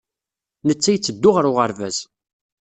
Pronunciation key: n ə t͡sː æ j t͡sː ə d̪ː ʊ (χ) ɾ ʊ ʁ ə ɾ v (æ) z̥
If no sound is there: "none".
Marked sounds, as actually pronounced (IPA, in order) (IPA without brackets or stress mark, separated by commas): ʁ, æ